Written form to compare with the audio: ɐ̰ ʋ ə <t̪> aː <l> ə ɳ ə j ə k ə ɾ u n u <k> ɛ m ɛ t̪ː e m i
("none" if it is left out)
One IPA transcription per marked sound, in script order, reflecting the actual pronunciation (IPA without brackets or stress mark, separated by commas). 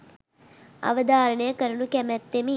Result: d̪, ɾ, k